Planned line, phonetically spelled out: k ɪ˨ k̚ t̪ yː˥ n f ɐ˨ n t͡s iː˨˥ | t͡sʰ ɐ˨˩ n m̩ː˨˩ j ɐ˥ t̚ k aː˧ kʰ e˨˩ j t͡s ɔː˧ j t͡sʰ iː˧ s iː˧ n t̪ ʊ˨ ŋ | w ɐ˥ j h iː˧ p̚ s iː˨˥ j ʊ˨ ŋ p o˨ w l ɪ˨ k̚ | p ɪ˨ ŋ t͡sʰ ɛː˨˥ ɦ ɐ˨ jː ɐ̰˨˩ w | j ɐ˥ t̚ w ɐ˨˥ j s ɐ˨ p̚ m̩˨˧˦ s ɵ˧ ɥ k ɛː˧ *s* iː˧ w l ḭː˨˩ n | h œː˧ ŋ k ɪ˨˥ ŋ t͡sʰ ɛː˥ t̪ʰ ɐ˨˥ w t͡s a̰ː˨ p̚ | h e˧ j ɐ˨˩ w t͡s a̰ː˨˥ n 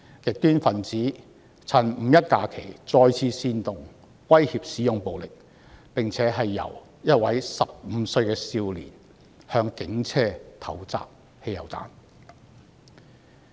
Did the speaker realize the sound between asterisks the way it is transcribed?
yes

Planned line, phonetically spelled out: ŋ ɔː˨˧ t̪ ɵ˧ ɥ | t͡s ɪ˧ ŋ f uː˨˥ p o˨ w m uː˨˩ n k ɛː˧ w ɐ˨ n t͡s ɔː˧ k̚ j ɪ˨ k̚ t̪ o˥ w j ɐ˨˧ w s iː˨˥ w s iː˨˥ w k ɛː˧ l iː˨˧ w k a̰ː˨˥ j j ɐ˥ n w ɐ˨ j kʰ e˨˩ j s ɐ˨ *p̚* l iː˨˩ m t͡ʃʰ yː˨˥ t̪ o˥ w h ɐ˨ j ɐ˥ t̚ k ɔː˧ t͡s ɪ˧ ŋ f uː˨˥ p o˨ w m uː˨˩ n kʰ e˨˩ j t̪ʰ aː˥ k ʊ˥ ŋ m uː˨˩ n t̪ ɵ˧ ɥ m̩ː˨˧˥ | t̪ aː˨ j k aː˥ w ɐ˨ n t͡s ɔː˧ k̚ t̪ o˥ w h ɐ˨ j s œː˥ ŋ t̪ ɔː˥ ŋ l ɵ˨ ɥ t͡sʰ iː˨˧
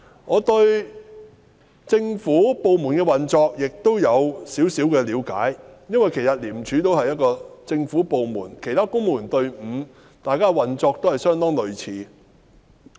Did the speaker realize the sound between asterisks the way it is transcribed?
no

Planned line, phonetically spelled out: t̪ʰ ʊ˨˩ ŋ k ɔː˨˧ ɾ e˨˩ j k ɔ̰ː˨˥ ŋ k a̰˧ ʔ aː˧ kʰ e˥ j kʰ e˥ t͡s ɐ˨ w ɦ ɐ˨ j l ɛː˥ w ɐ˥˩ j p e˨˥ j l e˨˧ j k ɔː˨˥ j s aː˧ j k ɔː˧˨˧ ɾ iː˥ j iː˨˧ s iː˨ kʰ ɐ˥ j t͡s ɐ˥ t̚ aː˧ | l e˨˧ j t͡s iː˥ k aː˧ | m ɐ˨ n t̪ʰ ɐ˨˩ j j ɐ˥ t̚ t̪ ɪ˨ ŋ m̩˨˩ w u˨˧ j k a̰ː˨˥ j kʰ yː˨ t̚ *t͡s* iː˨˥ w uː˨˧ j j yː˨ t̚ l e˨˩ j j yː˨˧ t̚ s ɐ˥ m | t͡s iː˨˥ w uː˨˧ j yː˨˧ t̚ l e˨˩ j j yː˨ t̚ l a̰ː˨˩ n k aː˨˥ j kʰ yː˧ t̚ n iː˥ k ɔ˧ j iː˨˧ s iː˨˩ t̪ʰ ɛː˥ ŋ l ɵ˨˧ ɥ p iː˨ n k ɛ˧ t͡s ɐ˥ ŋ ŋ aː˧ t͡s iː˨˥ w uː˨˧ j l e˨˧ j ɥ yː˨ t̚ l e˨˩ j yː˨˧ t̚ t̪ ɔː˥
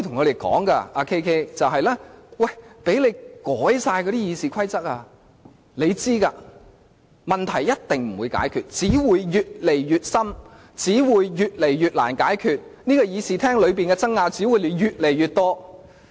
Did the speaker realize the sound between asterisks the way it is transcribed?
yes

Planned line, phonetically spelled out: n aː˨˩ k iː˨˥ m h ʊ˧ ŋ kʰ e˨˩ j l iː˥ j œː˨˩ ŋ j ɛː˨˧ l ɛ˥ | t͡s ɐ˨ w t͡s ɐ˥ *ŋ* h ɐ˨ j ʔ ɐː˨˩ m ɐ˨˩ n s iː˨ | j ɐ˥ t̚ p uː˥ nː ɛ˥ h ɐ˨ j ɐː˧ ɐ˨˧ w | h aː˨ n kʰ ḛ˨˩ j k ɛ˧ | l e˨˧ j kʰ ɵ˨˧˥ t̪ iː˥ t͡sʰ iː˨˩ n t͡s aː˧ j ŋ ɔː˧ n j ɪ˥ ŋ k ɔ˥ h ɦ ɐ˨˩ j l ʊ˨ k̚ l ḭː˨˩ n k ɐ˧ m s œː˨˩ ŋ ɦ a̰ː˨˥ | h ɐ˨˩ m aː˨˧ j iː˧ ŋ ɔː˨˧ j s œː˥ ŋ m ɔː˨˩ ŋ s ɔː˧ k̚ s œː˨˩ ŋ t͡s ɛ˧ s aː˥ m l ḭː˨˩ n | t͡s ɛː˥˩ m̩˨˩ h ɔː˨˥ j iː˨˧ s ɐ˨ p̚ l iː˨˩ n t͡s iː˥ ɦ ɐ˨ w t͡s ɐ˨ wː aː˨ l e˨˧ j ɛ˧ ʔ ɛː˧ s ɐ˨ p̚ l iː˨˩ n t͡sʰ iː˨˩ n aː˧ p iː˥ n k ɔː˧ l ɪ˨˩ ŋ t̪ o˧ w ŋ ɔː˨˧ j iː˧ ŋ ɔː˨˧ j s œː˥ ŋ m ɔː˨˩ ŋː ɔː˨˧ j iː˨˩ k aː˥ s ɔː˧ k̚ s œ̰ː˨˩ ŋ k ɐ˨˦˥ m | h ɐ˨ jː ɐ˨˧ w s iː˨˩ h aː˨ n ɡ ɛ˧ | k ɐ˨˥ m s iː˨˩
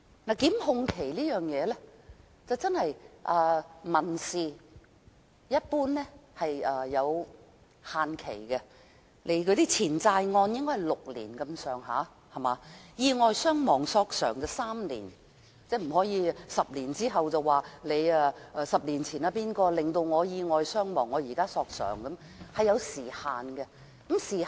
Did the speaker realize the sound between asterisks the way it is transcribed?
no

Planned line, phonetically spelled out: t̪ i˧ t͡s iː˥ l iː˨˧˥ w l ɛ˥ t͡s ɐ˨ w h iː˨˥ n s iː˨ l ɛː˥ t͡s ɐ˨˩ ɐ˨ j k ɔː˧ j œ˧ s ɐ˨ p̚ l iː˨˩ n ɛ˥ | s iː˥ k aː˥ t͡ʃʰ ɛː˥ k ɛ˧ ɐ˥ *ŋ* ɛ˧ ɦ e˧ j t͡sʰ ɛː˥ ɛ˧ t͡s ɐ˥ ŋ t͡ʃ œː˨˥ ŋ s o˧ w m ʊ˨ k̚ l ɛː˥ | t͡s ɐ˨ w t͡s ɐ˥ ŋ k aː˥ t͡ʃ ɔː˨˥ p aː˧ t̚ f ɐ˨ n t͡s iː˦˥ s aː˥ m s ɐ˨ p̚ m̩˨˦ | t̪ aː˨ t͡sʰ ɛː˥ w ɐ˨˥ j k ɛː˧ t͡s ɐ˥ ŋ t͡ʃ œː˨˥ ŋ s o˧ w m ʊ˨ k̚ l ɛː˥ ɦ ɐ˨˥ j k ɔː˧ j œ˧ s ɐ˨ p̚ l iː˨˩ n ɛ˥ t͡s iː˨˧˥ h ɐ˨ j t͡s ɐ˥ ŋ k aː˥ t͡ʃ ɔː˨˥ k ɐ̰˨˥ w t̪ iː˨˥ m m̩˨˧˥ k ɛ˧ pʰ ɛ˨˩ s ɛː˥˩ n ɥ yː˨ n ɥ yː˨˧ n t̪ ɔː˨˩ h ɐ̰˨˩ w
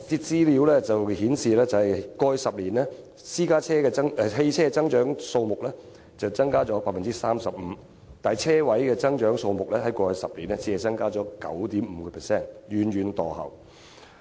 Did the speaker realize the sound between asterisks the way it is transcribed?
yes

